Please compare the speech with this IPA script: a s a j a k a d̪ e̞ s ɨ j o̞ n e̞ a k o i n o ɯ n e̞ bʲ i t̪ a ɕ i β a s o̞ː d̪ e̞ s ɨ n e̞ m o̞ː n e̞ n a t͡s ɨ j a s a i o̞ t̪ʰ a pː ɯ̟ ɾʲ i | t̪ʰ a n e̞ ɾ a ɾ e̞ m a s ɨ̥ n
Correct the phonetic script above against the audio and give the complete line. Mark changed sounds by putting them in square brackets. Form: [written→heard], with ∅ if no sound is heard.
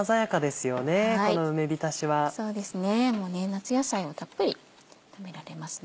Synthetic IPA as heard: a [s→z] a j a k a d̪ e̞ s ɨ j o̞ n e̞ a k o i n o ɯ [n→m] e̞ bʲ i t̪ a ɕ i β a s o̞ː d̪ e̞ s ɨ n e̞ m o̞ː n e̞ n a t͡s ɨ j a s a i o̞ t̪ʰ a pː ɯ̟ ɾʲ i | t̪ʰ a [n→m] e̞ ɾ a ɾ e̞ m a s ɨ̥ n